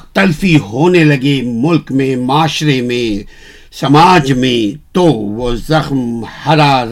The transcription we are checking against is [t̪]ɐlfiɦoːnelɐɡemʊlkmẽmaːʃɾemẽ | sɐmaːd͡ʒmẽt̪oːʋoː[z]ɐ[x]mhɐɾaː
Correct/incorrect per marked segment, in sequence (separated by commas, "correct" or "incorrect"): correct, correct, correct